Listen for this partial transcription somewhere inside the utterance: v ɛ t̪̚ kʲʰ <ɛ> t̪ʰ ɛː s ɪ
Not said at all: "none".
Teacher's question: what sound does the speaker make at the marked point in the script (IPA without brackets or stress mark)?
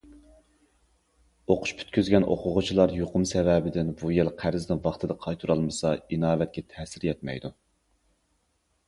ɛ